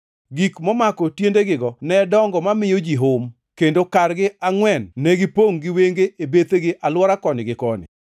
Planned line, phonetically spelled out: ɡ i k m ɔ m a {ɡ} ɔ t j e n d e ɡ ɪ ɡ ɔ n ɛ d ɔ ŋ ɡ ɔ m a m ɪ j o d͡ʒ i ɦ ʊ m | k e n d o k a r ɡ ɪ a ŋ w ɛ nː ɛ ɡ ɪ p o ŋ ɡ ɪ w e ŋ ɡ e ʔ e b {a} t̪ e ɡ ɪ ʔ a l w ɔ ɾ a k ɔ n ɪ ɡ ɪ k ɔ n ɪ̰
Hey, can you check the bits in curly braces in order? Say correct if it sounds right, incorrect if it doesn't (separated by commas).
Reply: incorrect, incorrect